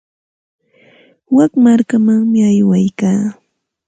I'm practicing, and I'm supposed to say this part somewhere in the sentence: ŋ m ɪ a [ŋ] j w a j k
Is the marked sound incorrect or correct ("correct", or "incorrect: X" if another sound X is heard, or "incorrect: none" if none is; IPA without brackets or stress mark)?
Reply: incorrect: none